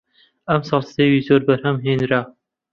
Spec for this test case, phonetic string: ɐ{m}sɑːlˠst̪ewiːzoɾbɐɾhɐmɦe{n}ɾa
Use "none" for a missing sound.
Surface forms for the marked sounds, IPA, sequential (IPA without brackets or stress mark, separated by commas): m, n